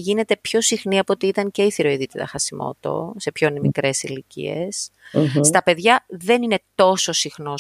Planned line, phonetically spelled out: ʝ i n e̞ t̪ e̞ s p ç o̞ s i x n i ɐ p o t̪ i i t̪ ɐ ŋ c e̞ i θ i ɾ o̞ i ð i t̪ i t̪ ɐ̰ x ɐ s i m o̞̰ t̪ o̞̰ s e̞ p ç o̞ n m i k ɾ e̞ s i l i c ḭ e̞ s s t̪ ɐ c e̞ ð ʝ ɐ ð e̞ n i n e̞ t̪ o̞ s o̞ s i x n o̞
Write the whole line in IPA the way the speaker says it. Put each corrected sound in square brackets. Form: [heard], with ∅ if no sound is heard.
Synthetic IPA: ʝ i n e̞ t̪ e̞ [∅] p ç o̞ s i x n i ɐ p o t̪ i i t̪ ɐ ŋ c e̞ i θ i ɾ o̞ i ð i t̪ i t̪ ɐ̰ x ɐ s i m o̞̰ t̪ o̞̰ s e̞ p ç o̞ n m i k ɾ e̞ s i l i c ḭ e̞ s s t̪ ɐ [p] e̞ ð ʝ ɐ ð e̞ n i n e̞ t̪ o̞ s o̞ s i x n o̞